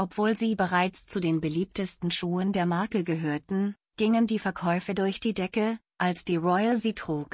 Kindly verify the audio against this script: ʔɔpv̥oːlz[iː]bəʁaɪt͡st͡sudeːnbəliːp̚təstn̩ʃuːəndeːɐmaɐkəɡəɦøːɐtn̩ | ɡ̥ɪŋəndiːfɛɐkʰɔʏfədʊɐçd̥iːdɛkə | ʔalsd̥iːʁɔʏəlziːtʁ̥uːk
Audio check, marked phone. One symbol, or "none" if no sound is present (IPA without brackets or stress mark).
iː